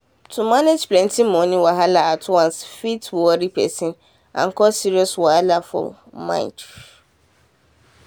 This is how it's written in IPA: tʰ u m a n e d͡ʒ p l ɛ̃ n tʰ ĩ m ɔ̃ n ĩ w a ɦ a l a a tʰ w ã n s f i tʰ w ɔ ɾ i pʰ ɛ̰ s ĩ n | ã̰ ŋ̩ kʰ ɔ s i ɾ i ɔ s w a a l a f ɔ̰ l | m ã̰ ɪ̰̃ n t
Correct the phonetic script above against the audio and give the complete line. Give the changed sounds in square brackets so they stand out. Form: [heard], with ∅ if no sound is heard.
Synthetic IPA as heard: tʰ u m a n e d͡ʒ p l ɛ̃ n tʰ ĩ m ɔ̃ n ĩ w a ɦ a l a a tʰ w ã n s f i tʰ w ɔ ɾ i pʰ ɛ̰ s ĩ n | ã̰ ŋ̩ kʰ ɔ s i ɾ i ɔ s w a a l a f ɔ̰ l | m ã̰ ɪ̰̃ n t